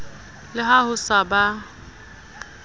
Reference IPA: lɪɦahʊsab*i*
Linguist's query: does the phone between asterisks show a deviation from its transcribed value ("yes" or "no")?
yes